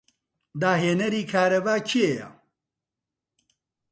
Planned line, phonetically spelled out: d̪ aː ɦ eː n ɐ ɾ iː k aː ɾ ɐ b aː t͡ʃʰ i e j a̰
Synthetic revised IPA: d̪ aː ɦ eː n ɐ ɾ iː kʰ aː ɾ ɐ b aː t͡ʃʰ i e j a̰